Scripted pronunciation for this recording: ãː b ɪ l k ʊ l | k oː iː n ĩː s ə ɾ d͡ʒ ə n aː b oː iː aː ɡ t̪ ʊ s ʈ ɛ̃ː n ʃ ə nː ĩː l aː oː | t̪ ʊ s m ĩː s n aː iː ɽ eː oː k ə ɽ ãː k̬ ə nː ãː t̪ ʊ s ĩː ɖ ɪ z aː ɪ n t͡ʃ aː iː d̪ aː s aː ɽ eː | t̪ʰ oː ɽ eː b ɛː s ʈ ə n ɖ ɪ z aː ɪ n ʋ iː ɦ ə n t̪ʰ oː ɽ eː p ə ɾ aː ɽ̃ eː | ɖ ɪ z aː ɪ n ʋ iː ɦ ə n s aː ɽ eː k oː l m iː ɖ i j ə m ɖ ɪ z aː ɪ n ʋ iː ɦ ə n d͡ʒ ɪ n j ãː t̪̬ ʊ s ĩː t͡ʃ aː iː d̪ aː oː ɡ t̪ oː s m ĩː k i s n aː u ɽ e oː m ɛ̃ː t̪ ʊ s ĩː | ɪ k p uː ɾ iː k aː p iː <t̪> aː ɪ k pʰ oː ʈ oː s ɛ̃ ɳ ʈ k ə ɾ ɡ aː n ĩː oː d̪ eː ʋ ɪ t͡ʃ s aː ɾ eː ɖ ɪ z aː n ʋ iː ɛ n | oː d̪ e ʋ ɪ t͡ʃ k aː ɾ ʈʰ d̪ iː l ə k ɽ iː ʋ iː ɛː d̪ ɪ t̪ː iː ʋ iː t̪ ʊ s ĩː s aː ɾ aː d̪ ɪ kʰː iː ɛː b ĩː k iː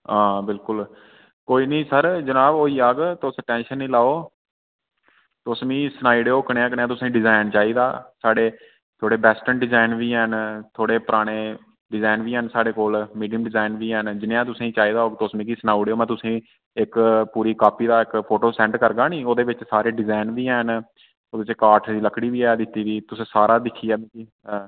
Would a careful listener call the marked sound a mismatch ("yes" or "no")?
yes